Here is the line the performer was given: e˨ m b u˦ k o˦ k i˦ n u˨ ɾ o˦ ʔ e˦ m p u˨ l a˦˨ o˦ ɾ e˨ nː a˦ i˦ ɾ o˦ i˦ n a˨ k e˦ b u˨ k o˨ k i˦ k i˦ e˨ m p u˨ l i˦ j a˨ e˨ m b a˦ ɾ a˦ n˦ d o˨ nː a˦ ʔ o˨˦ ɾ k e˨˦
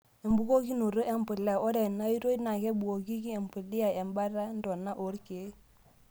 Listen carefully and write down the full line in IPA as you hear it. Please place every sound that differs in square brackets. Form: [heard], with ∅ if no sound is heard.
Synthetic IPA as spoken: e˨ m b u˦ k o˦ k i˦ n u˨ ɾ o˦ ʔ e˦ m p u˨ l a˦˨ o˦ ɾ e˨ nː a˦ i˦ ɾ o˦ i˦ n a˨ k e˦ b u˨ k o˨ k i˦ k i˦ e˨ m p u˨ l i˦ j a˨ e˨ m b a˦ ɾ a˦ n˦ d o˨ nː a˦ ʔ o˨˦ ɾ k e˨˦